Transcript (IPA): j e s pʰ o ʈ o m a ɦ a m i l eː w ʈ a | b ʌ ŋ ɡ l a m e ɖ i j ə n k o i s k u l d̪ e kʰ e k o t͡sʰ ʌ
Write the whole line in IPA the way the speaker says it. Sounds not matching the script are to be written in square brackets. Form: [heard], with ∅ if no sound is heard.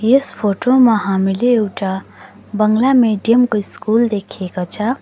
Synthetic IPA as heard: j e s pʰ o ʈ o m a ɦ a m i l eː w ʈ a | b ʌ ŋ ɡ l a m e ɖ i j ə [m] k o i s k u l d̪ e kʰ e k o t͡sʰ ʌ